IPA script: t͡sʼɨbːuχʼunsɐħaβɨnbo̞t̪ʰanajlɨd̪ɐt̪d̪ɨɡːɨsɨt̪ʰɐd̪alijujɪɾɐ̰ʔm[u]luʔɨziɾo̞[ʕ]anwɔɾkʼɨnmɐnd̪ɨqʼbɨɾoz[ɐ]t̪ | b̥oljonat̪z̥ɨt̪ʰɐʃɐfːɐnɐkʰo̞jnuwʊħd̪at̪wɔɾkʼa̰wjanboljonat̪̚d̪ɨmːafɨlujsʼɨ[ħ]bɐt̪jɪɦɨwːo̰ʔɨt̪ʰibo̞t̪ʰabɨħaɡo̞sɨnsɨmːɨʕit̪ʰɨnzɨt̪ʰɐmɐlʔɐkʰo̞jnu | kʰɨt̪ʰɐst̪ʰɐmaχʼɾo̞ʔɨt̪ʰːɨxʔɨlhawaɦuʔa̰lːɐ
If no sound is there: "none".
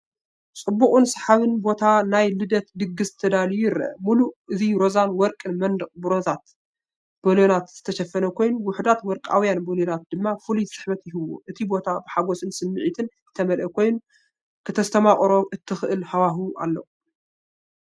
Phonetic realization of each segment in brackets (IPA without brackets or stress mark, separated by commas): u, z, a, ħ